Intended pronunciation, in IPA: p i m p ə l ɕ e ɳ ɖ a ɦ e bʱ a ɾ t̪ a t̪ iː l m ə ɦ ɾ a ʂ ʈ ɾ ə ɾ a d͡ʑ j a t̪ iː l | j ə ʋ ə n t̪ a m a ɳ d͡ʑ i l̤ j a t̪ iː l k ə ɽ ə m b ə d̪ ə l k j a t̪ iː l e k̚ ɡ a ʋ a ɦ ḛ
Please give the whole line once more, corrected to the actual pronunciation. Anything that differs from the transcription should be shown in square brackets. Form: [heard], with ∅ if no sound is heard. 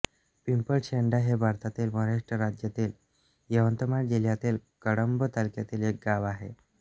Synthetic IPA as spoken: p i m p ə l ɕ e ɳ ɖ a ɦ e bʱ a ɾ t̪ a t̪ iː l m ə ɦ ɾ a ʂ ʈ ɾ ə ɾ a d͡ʑ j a t̪ iː l | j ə ʋ ə n t̪ [ə] m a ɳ d͡ʑ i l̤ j a t̪ iː l k ə ɽ ə m b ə [t̪] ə l k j a t̪ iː l e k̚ ɡ a ʋ a ɦ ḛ